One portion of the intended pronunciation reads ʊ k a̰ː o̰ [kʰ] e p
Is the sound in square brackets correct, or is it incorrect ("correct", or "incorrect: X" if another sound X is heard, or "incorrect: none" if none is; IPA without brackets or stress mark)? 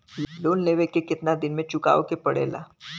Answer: incorrect: k